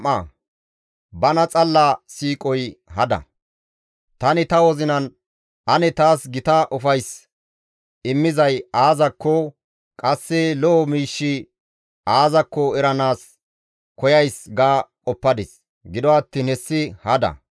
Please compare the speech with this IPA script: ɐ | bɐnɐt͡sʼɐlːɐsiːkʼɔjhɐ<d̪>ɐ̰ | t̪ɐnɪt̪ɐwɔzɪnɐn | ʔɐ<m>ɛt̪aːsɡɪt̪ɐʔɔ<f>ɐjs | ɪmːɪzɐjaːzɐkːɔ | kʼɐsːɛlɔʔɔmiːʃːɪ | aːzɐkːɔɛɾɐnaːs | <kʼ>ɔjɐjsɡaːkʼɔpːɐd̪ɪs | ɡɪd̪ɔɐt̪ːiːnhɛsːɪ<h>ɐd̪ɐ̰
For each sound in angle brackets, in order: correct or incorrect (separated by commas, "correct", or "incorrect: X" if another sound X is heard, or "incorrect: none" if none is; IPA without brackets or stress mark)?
correct, incorrect: n, correct, incorrect: k, correct